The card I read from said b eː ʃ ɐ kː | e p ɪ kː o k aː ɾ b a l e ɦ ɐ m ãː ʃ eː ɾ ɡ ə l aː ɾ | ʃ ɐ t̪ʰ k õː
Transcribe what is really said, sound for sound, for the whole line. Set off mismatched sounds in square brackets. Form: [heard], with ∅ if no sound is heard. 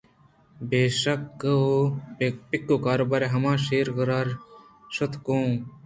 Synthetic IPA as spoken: b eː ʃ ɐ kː | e p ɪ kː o k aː ɾ b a [ɾ] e ɦ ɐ m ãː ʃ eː ɾ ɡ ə [ɾ] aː ɾ | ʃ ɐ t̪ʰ k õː